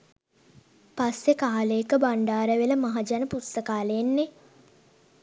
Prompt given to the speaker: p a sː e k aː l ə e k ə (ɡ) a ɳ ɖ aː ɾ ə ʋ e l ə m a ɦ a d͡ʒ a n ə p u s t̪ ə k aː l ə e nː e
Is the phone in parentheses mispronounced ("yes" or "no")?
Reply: yes